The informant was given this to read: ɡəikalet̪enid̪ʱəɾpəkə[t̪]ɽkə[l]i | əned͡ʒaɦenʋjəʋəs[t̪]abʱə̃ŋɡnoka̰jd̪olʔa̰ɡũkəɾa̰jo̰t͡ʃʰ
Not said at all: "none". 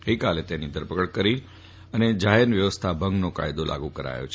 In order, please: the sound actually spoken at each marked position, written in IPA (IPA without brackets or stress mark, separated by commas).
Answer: none, ɾ, t̪ʰ